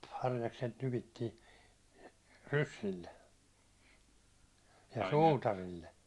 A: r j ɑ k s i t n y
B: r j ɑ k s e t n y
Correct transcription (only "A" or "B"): B